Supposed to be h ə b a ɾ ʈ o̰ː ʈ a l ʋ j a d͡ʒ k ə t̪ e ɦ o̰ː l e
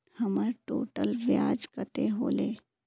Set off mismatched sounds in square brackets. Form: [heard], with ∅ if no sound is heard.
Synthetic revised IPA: h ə [m] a ɾ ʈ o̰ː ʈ [ə] l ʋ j a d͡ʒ k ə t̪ e ɦ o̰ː l e